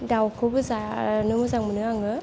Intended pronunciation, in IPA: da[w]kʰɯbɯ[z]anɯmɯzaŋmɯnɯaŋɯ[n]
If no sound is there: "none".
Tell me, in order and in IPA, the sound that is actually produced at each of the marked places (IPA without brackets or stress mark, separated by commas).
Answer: w, z, none